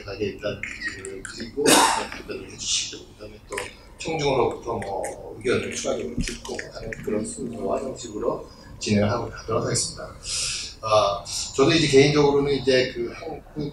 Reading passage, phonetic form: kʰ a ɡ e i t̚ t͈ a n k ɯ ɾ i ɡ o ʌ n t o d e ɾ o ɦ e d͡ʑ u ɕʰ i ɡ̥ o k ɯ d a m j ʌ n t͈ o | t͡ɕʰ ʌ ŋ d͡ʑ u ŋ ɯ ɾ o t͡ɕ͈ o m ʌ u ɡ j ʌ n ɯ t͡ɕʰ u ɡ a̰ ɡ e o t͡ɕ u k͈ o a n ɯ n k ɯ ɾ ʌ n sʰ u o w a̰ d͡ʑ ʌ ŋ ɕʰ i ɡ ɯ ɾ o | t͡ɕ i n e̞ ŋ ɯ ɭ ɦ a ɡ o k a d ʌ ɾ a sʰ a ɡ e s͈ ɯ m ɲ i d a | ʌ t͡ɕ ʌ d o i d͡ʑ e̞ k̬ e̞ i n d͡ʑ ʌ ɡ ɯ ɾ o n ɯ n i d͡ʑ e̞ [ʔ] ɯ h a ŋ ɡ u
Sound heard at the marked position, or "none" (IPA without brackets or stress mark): k